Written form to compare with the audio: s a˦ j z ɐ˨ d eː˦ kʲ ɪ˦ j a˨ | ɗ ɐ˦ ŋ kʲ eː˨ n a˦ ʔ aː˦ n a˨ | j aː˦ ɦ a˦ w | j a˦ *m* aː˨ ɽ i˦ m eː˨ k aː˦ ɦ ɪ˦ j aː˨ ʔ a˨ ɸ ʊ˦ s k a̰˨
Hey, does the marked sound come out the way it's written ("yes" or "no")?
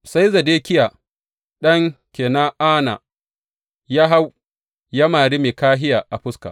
yes